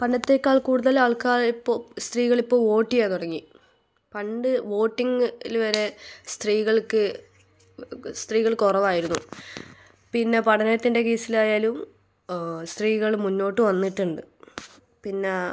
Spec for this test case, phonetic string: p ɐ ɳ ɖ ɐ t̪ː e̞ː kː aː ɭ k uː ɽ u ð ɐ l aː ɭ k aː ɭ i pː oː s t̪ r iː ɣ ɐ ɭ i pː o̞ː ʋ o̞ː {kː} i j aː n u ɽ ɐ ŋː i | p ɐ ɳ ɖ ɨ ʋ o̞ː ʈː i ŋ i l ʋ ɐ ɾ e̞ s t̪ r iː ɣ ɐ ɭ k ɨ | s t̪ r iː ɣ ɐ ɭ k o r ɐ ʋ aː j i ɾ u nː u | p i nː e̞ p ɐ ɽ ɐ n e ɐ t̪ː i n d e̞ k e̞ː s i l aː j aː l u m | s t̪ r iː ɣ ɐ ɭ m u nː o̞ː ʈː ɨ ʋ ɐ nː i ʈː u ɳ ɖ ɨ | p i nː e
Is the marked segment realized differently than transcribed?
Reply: yes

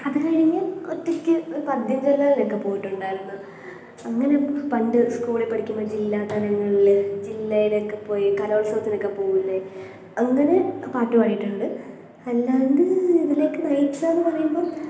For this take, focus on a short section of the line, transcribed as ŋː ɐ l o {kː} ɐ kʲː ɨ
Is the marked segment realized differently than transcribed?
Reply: yes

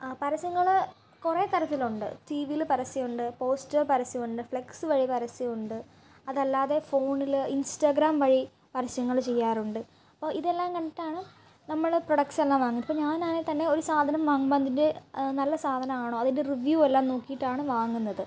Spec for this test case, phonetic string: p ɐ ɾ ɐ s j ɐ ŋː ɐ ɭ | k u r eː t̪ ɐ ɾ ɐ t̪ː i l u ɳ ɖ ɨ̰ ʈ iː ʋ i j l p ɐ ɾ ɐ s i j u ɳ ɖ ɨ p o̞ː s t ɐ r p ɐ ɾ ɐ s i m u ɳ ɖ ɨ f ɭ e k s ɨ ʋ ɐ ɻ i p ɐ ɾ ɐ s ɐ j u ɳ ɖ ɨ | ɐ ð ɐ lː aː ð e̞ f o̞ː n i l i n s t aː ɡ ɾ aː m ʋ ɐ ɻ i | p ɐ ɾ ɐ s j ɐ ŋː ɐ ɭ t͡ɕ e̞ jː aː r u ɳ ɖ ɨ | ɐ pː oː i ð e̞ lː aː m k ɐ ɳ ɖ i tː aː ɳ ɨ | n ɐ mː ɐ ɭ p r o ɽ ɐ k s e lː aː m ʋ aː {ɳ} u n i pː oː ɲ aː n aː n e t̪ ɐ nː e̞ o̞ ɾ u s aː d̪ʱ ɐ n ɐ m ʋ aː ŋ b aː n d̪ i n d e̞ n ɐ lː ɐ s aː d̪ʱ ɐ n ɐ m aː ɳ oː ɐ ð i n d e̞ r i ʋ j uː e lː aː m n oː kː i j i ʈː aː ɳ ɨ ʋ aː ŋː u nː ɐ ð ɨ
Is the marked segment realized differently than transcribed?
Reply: yes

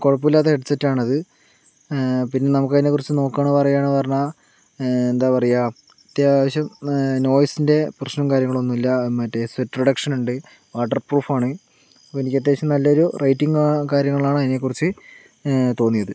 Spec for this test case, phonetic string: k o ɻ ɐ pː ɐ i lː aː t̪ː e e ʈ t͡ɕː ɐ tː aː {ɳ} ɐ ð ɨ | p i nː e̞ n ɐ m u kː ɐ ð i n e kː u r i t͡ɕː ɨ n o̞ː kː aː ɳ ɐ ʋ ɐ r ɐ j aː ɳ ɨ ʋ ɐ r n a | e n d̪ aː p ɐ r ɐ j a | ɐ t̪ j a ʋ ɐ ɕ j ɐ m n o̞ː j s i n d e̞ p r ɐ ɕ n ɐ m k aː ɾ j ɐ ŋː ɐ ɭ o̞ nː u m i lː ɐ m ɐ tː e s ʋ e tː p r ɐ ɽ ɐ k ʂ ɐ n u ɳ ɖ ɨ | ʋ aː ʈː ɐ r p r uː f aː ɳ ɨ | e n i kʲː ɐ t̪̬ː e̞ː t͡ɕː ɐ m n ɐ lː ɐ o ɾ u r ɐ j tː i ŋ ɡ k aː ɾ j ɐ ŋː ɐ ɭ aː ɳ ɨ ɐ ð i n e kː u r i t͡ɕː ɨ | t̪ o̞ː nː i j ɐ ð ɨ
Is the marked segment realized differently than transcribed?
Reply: no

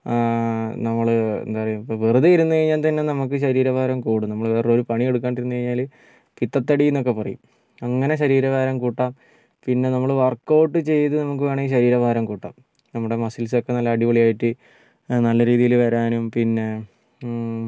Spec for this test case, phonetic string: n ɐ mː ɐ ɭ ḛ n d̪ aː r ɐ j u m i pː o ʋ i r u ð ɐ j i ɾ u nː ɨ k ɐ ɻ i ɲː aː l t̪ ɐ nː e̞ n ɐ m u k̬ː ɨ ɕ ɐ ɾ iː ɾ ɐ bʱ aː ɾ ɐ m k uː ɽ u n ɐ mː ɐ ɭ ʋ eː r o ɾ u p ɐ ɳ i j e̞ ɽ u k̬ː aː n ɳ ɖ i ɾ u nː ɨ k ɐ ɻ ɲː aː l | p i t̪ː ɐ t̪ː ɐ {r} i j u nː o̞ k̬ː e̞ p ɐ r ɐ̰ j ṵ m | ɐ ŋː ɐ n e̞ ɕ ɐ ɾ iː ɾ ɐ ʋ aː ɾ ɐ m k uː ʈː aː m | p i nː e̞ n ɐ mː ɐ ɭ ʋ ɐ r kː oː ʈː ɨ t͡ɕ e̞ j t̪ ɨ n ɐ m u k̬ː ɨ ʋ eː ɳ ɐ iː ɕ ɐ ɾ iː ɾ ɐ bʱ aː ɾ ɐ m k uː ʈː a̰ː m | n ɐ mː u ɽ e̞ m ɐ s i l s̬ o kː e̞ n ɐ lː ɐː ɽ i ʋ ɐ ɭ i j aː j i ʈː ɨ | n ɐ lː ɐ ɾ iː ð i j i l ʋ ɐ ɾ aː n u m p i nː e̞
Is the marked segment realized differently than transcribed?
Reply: yes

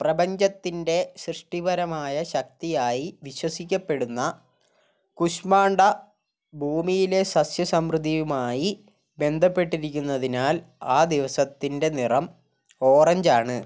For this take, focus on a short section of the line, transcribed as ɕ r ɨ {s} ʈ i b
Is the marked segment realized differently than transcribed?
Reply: yes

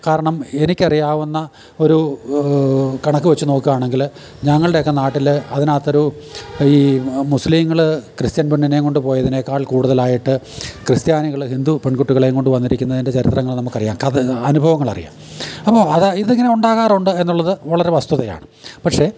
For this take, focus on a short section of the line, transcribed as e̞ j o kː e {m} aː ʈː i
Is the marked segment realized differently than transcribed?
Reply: yes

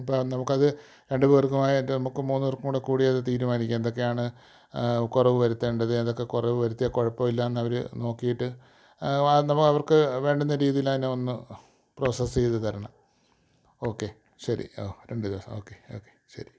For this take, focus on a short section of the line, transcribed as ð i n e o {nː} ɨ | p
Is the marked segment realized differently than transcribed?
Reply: no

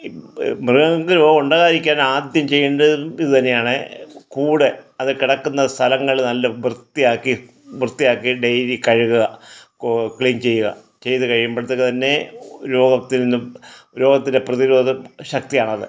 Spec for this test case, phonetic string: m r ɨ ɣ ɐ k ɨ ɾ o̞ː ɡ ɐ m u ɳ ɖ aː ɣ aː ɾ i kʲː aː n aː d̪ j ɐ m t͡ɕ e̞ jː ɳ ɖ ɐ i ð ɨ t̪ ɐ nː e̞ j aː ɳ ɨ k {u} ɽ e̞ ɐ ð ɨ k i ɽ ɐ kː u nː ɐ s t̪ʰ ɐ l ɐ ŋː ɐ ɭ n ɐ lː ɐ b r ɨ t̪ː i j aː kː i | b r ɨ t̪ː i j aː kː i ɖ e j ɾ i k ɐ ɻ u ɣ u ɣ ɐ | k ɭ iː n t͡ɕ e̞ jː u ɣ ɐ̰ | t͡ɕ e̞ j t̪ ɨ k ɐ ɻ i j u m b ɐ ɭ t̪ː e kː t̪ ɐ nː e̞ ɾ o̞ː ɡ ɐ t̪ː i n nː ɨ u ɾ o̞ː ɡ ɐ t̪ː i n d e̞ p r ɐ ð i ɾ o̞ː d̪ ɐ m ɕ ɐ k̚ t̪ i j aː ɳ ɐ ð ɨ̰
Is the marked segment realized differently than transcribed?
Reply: yes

